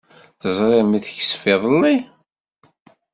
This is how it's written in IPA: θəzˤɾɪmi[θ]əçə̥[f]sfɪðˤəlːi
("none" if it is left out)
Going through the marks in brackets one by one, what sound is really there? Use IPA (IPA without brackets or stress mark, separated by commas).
θ, none